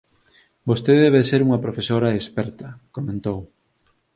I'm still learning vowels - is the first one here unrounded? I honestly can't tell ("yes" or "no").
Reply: no